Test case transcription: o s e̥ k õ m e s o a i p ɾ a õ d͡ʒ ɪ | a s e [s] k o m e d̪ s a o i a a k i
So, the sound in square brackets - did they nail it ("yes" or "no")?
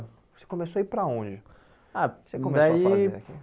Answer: no